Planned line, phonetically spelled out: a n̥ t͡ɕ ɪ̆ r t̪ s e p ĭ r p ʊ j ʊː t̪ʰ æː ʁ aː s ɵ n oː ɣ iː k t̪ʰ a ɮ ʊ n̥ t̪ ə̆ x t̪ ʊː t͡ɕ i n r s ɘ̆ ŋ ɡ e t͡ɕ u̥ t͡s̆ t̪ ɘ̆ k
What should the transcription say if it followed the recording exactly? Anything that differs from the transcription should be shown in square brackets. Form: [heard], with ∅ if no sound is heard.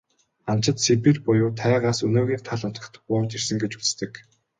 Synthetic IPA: a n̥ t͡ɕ ɪ̆ [∅] t̪ s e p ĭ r p ʊ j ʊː t̪ʰ æː ʁ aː s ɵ n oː ɣ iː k t̪ʰ a ɮ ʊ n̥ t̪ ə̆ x t̪ ʊː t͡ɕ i [∅] r s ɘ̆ ŋ ɡ e t͡ɕ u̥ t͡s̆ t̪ ɘ̆ k